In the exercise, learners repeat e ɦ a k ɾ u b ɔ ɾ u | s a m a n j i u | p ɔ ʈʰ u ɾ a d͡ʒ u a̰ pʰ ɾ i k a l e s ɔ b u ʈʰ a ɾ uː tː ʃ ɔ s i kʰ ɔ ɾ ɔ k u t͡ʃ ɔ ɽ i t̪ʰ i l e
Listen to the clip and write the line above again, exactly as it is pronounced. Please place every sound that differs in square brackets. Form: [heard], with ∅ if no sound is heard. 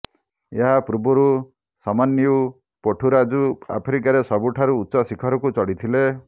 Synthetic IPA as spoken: e ɦ a [p] ɾ u b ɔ ɾ u | s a m a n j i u | p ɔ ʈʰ u ɾ a d͡ʒ u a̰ pʰ ɾ i k a [ɾ] e s ɔ b u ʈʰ a ɾ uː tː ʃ ɔ s i kʰ ɔ ɾ ɔ k u t͡ʃ ɔ ɽ i t̪ʰ i l e